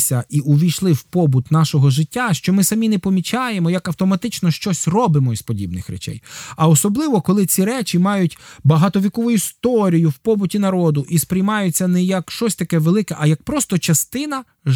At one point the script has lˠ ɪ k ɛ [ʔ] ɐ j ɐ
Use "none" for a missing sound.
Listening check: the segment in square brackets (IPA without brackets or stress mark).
ʔ